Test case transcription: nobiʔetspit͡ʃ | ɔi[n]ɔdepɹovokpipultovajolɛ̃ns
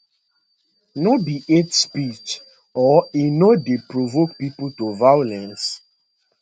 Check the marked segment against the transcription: correct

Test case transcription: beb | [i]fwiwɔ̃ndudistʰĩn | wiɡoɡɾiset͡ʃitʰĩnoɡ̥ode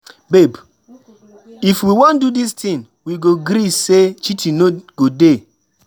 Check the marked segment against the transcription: correct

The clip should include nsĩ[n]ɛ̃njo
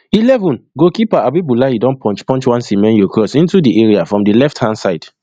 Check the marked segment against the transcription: incorrect: m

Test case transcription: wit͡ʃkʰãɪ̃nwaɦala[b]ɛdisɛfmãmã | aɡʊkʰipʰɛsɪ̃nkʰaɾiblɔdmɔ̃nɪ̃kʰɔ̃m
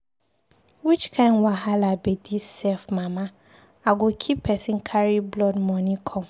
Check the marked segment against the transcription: correct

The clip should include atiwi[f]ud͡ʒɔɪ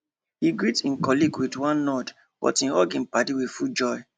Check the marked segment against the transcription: correct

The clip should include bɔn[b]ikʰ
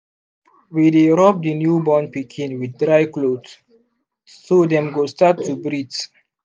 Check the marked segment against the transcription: incorrect: p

